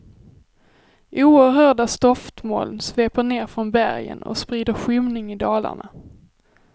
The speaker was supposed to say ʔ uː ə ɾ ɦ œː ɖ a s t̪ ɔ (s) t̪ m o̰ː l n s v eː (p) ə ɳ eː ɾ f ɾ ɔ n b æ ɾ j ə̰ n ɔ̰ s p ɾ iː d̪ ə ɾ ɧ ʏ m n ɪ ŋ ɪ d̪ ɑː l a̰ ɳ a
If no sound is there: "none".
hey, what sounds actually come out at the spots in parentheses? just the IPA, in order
f, p

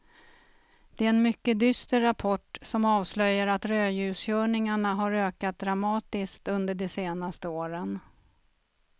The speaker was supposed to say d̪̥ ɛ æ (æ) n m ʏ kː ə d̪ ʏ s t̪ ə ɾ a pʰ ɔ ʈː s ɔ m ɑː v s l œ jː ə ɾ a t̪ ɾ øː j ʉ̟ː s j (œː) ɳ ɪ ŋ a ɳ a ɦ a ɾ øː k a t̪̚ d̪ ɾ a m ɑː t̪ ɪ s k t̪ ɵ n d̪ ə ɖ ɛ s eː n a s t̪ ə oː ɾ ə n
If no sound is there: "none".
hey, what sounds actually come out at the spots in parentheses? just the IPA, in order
ɛ, œː

